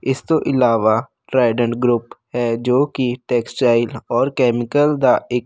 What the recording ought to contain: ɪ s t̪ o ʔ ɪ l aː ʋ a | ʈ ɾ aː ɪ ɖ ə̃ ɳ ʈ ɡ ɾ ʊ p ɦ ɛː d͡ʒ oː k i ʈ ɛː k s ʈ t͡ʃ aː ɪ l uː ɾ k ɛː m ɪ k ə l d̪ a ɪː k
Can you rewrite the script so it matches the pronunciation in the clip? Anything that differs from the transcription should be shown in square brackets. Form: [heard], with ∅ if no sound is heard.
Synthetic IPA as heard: ɪ s t̪ o ʔ ɪ l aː ʋ a | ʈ ɾ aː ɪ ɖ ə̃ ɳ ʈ ɡ ɾ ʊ p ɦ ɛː d͡ʒ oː k i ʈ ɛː k s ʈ t͡ʃ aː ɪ l [ɔː] ɾ k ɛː m ɪ k ə l d̪ a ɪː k